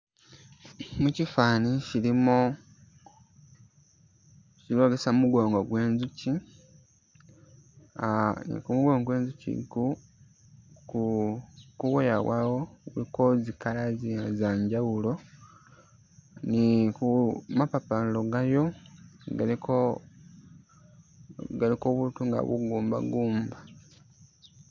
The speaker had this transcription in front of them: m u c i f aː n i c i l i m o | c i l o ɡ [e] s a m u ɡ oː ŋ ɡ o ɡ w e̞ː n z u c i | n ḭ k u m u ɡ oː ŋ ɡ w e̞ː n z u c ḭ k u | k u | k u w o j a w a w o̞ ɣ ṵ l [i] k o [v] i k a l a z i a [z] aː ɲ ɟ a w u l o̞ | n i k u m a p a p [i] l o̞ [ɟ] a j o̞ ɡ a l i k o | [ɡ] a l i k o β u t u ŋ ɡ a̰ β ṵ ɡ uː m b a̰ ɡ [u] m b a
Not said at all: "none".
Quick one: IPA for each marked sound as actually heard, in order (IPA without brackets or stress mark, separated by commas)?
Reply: e, i, z, z, a, ɡ, ɡ, uː